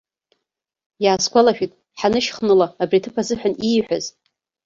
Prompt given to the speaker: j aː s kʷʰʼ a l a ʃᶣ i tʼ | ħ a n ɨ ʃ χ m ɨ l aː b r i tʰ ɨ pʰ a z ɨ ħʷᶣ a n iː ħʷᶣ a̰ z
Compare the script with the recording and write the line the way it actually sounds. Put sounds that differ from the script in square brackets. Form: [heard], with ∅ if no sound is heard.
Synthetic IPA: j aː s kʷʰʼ a l a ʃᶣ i tʼ | ħ a n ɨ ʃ χ [n] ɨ l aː b r i tʰ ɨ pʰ a z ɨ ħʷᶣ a n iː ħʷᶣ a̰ z